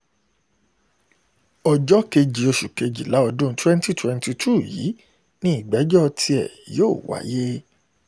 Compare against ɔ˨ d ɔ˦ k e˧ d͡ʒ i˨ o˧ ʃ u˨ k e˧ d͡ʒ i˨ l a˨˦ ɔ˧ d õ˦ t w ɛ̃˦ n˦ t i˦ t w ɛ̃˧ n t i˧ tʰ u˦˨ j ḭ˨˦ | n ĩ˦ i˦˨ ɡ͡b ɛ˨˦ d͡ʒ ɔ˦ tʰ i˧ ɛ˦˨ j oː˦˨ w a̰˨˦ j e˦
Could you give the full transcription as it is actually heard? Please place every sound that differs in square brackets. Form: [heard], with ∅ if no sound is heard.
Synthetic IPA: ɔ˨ [d͡ʒ] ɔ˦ k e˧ d͡ʒ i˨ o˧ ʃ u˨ k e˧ d͡ʒ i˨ l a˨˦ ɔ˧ d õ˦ t w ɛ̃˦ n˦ t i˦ t w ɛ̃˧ n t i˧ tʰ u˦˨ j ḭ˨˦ | n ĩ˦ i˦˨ ɡ͡b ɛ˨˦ d͡ʒ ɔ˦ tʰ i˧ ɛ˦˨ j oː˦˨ w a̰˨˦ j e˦